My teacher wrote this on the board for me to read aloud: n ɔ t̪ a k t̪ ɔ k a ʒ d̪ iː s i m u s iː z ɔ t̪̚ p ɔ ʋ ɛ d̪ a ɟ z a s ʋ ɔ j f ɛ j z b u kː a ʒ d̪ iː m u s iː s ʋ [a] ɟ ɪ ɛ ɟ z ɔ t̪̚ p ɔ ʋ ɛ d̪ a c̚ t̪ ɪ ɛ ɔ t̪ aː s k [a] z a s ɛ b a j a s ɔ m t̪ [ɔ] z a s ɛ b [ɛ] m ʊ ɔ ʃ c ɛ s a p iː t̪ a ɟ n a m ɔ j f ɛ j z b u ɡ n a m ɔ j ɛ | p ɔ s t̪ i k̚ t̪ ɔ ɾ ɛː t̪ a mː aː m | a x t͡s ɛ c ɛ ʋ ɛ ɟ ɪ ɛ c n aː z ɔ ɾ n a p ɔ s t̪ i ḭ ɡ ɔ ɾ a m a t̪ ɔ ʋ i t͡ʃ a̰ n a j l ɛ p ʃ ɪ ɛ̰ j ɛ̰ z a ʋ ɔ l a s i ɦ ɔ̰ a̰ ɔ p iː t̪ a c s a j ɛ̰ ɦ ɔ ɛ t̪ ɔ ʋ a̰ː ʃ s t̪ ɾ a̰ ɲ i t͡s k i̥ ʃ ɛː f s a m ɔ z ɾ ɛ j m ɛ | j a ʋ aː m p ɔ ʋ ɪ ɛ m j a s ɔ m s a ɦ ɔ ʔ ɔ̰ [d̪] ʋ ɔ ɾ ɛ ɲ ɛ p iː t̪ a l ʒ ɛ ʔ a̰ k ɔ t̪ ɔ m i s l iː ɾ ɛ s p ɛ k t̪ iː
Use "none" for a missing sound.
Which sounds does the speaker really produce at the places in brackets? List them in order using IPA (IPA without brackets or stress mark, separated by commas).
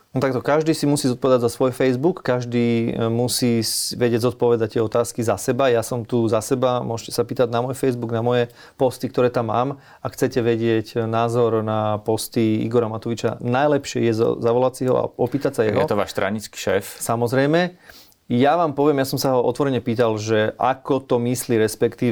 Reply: ɛ, i, u, a, t̪